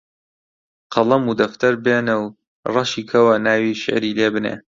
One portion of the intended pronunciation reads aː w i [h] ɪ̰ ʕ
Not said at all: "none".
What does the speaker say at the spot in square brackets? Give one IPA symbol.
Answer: ʃ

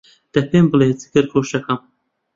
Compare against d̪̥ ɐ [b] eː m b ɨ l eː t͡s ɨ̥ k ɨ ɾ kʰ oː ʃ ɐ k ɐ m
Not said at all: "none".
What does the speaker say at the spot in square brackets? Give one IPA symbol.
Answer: p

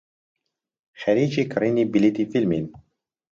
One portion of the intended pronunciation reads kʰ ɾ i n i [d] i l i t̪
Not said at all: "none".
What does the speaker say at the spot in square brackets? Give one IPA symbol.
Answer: b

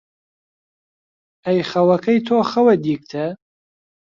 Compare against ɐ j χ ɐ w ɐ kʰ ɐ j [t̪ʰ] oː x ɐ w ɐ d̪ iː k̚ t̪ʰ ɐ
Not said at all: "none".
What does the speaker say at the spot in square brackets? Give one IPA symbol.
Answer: t̪ʰ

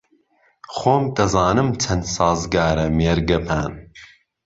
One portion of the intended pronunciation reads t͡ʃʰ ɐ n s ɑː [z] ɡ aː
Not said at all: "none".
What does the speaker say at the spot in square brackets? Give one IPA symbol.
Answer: z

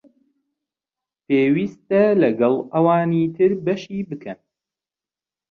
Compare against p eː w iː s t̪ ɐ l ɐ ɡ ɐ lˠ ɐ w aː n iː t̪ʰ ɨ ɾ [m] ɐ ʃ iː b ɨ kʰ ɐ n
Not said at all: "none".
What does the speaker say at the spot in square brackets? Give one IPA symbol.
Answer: b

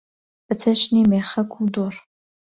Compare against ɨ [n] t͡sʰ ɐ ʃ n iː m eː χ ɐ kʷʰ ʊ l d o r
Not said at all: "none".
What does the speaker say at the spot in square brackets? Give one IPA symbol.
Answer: none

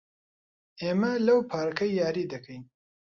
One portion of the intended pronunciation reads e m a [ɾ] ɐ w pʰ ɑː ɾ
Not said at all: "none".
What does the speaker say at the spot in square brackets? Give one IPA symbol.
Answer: l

